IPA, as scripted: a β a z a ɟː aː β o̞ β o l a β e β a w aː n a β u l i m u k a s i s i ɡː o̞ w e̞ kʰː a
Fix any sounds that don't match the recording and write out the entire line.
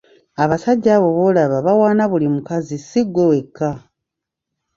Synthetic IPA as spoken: a β a s a ɟː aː β o̞ β o l a β a β a w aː n a β u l i m u k a z i s i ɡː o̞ w e̞ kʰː a